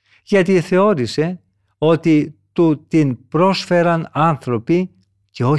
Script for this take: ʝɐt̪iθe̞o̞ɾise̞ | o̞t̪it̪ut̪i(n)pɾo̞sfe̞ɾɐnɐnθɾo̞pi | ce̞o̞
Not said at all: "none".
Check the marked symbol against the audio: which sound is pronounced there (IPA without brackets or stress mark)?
n